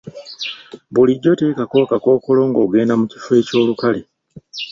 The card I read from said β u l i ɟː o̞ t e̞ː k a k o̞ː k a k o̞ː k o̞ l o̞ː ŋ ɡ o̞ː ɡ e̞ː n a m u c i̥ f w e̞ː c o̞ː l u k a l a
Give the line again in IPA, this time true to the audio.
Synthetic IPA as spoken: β u l i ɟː o̞ t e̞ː k a k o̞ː k a k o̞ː k o̞ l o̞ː ŋ ɡ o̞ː ɡ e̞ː n a m u c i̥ f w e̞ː c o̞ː l u k a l e